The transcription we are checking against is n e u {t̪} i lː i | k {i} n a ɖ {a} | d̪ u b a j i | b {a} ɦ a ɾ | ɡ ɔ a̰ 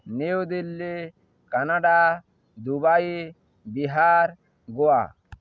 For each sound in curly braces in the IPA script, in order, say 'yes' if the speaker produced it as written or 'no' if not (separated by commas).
no, no, yes, no